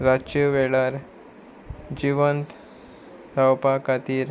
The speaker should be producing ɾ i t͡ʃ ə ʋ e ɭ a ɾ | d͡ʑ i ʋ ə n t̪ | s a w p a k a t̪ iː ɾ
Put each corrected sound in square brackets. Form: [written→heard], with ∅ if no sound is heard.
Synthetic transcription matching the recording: ɾ [i→a] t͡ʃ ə ʋ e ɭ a ɾ | d͡ʑ i ʋ ə n t̪ | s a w p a k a t̪ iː ɾ